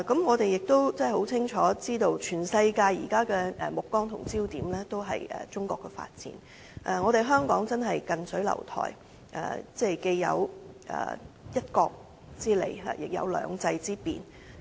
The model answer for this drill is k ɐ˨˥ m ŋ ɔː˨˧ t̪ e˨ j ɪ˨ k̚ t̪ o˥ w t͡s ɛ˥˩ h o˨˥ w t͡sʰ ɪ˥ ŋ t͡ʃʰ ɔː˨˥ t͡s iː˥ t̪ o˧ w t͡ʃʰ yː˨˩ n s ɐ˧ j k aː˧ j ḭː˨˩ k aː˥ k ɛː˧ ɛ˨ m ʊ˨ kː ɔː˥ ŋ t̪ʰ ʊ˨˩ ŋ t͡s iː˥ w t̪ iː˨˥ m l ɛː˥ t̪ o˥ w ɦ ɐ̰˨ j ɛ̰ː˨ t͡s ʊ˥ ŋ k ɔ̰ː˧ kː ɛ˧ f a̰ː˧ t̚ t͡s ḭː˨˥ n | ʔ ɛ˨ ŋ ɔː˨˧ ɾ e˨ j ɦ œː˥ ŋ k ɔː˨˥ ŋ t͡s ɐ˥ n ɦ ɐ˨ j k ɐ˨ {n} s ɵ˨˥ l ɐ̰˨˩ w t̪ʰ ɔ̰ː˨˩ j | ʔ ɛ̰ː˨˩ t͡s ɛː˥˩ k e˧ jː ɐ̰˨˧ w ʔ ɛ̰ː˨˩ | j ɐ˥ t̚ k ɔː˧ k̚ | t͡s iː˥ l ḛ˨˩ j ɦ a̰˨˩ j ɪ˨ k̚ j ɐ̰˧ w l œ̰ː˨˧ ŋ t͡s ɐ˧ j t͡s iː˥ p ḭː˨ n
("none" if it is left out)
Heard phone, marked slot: n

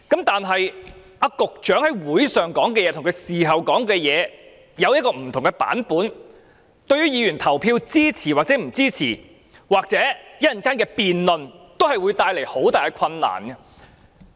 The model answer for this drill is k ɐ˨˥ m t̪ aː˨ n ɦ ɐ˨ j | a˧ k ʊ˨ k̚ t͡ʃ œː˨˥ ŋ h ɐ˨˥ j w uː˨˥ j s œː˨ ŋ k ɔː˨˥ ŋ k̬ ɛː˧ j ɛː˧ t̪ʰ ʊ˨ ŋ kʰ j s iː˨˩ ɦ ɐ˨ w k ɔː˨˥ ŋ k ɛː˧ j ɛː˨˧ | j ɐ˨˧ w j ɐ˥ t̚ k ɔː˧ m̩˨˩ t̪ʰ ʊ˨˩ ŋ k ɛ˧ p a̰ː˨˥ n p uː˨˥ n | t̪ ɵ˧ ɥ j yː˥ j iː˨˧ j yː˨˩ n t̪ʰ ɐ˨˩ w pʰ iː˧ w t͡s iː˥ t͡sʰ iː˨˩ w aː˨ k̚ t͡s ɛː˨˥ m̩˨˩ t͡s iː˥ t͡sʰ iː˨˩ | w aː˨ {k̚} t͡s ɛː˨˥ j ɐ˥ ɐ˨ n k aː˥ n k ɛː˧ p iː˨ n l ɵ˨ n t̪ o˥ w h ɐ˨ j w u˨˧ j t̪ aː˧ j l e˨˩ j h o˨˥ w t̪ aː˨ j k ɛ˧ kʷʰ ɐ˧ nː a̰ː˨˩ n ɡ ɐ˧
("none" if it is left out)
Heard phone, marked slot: k̚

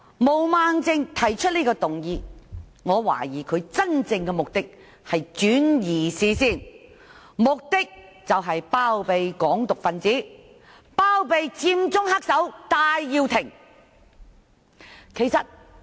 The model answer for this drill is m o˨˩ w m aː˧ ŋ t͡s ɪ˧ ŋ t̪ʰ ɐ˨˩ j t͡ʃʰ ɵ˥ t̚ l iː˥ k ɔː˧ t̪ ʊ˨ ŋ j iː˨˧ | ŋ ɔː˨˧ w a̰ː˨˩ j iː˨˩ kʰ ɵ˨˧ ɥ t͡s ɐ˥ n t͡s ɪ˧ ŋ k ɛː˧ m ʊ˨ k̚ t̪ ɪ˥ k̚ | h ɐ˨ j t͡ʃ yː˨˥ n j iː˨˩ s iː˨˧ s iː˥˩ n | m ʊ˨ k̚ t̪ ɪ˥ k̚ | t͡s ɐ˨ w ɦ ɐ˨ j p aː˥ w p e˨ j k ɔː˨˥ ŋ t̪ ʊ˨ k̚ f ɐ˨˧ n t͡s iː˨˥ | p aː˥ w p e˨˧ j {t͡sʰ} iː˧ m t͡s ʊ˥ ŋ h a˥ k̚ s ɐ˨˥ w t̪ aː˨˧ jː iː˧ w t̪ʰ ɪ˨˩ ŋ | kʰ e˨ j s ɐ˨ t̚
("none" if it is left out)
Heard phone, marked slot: t͡s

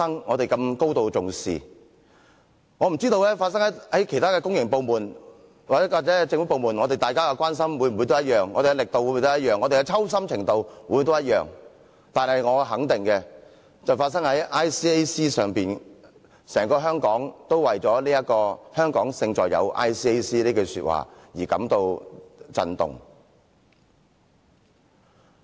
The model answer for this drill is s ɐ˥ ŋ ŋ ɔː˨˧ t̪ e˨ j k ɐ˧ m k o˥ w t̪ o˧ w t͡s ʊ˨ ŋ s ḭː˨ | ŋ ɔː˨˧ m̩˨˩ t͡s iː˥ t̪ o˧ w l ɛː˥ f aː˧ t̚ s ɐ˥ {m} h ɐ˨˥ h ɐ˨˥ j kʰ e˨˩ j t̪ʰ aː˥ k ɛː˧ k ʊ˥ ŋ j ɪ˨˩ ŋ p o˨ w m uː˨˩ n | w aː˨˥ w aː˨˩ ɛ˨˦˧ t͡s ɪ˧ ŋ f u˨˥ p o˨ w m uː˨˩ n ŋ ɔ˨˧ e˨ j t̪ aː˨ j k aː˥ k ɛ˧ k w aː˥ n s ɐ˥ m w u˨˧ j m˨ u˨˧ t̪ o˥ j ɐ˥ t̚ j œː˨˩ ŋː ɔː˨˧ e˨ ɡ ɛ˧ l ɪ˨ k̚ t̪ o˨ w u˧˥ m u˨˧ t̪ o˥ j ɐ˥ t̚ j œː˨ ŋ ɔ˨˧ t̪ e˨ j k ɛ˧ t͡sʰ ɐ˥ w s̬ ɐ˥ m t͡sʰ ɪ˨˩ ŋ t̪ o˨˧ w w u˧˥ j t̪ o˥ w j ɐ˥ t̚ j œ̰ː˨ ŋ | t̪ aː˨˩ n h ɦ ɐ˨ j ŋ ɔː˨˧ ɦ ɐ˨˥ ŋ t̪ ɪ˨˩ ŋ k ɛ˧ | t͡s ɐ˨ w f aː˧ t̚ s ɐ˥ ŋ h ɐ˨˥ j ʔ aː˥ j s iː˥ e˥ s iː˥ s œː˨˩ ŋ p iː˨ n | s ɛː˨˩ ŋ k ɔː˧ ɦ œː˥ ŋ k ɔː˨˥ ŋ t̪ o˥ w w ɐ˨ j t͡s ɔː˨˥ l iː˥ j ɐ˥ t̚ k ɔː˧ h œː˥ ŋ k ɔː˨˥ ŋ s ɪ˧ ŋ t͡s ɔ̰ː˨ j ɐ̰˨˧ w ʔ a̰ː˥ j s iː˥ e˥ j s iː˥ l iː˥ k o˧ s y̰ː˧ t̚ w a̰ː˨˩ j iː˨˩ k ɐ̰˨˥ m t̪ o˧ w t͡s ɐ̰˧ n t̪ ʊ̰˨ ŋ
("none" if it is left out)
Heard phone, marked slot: ŋ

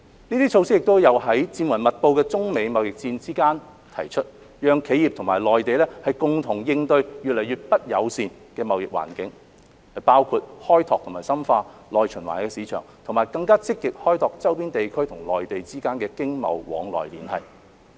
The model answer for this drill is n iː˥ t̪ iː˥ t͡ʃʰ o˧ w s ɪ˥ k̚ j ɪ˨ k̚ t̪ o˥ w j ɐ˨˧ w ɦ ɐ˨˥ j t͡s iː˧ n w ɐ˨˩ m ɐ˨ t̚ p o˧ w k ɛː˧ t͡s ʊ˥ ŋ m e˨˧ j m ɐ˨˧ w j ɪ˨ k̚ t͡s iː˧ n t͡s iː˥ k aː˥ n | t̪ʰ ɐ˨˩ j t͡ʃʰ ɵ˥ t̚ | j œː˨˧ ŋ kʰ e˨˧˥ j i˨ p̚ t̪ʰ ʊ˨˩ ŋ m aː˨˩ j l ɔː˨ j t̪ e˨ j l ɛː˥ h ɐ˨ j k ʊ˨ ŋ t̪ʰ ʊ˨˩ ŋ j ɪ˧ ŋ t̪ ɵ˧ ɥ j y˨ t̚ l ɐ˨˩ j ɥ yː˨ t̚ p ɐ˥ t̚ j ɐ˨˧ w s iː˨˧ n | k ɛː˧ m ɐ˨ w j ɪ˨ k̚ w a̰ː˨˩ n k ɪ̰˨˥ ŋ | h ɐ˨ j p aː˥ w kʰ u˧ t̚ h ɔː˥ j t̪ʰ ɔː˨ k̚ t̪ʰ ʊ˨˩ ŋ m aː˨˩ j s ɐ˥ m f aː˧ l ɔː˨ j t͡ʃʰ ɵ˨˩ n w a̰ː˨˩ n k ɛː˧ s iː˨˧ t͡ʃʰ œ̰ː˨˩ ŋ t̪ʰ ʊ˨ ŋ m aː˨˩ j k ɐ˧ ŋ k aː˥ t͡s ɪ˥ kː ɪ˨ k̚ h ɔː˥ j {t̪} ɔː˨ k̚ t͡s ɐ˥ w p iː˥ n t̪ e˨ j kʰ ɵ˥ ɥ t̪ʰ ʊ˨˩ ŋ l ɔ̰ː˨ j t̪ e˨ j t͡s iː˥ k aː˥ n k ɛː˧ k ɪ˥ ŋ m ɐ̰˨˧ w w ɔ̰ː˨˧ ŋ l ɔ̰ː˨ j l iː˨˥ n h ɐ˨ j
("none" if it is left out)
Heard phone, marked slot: t̪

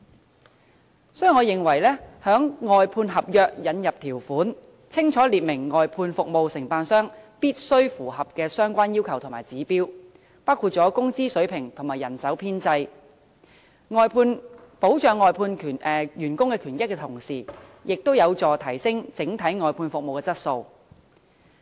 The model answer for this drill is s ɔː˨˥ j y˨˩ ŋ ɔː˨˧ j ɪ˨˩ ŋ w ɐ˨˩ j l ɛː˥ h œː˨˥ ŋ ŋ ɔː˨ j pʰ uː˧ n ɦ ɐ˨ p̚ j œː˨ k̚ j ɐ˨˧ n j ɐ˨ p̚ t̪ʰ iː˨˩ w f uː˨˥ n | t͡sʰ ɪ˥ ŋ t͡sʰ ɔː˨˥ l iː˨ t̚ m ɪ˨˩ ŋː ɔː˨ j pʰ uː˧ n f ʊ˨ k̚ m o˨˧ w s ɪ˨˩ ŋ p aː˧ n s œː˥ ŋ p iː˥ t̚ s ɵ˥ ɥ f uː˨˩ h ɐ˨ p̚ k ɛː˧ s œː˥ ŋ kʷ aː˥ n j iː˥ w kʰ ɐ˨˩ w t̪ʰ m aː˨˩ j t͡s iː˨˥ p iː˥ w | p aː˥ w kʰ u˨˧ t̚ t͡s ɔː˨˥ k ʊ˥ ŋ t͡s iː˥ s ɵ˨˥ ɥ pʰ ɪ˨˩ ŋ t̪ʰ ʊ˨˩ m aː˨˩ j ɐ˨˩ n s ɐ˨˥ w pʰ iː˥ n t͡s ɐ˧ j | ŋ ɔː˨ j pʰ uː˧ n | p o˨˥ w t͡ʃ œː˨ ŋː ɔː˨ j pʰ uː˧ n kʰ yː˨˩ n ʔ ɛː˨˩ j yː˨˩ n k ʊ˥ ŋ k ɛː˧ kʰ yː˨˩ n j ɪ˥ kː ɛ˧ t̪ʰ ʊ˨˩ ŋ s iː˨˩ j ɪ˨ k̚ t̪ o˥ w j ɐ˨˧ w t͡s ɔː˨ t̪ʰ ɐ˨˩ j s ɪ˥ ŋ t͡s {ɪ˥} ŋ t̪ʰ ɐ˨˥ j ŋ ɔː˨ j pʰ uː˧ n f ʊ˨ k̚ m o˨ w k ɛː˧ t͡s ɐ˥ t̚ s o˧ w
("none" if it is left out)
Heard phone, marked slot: ɪ˨˥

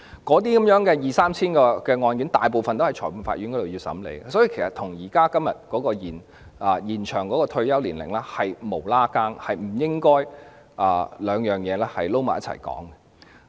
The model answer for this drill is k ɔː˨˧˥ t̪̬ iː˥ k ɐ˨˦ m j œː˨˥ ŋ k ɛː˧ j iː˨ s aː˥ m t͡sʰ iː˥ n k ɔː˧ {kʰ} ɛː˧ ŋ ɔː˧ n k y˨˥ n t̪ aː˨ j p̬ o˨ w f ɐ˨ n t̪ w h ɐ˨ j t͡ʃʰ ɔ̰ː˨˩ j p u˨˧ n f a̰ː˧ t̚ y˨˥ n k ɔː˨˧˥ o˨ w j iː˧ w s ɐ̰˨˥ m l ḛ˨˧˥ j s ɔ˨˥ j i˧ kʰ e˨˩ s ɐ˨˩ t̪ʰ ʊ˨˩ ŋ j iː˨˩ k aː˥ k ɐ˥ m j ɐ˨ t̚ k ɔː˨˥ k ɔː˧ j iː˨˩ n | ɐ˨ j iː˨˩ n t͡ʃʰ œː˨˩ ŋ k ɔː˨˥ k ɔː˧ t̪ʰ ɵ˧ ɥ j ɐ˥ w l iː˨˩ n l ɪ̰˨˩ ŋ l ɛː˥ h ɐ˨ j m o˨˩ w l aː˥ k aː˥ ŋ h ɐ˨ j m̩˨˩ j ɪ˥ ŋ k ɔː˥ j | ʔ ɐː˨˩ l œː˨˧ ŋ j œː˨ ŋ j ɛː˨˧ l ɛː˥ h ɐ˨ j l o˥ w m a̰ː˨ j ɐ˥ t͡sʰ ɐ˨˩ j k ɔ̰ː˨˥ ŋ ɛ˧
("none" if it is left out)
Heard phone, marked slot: k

